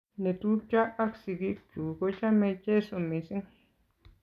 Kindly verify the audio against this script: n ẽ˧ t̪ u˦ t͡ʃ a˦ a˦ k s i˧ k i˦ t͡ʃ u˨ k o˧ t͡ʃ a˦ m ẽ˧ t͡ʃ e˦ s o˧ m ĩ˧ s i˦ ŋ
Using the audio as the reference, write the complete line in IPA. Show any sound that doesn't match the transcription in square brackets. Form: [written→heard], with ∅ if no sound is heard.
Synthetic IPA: n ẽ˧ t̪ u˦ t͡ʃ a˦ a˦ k s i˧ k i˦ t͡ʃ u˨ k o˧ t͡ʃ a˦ m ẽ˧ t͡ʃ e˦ s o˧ m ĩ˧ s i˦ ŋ